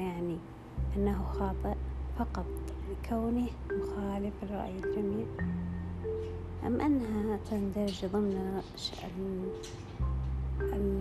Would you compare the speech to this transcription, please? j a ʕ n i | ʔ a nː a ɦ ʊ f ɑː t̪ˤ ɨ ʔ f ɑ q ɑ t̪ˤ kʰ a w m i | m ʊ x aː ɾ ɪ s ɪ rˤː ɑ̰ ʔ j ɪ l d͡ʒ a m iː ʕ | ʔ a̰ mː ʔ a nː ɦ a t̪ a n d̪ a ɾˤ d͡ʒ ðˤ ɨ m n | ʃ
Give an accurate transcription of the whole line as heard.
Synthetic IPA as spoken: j a ʕ n i | ʔ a nː a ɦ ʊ x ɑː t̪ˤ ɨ ʔ f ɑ q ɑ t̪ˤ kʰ a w n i | m ʊ x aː l ɪ f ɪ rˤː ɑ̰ ʔ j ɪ l d͡ʒ a m iː ʕ | ʔ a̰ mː ʔ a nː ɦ a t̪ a n d̪ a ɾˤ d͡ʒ ðˤ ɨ m n | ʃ